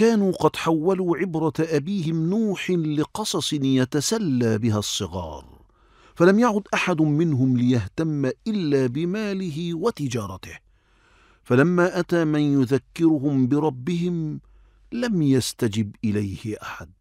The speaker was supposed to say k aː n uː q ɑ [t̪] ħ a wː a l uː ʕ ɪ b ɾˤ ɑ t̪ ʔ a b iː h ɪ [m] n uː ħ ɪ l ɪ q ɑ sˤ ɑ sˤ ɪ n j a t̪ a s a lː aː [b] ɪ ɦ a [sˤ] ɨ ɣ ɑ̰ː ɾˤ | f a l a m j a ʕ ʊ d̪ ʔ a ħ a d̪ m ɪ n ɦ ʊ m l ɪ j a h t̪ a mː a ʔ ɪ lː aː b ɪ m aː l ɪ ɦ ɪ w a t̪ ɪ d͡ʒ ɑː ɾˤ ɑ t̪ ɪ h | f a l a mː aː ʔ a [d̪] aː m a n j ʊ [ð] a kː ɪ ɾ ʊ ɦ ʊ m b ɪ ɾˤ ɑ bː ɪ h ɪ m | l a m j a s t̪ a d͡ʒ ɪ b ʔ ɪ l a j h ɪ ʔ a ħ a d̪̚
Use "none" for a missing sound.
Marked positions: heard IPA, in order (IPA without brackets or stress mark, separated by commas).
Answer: d̪, m, b, sˤː, t̪, ð